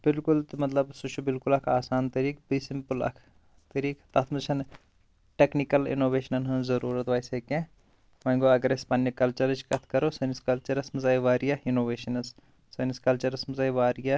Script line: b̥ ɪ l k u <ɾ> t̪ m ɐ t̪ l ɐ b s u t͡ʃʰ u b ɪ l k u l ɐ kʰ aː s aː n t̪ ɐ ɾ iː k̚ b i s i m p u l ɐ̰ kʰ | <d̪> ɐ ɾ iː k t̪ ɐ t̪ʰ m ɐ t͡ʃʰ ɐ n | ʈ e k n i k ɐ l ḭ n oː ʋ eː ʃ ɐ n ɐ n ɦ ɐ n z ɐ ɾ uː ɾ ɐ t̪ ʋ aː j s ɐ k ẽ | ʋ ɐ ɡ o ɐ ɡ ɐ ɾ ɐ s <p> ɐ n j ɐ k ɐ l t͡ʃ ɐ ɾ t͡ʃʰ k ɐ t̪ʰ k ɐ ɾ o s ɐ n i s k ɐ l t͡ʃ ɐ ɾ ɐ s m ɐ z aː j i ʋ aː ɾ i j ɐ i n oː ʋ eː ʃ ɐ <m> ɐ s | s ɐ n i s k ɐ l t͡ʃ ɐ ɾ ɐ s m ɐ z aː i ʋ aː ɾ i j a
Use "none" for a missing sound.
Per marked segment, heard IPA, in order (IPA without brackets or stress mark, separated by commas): l, t̪, p, n